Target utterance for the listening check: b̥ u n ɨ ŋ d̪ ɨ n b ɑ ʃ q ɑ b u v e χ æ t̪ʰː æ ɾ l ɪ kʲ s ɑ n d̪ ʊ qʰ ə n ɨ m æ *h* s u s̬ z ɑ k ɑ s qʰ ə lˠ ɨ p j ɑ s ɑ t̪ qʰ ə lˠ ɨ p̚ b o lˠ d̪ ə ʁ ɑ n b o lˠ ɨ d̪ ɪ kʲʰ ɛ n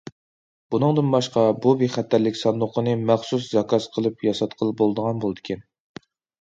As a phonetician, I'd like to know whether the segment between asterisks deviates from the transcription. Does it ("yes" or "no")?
yes